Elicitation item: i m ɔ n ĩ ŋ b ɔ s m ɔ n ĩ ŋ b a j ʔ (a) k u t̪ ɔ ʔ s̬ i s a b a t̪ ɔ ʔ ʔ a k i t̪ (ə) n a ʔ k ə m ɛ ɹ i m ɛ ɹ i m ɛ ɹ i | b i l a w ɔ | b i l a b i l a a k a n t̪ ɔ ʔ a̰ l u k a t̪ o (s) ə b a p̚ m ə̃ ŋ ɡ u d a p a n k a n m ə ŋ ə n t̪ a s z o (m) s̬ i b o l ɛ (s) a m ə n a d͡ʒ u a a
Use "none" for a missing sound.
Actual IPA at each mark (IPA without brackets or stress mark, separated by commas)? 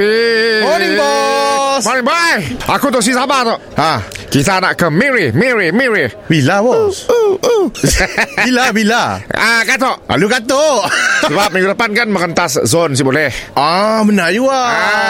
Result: a, a, s, n, h